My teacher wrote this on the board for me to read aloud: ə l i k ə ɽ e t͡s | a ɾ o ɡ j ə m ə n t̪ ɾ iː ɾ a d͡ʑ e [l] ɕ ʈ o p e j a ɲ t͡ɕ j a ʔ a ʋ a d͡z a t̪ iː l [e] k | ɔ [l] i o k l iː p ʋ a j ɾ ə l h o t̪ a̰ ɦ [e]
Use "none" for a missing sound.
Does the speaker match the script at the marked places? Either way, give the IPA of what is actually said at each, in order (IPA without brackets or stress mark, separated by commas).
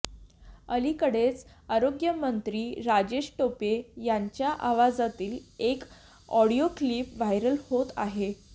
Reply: none, e, ɽ, e